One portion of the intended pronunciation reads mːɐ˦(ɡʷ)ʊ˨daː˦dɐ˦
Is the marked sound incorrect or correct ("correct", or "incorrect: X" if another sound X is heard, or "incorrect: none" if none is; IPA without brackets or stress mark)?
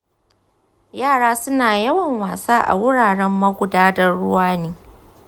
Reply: correct